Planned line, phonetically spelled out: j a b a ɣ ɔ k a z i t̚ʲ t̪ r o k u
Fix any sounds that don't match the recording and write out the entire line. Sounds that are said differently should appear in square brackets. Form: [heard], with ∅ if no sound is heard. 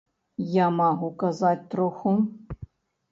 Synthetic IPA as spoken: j a [m] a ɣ [u] k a z [a] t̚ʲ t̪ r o [x] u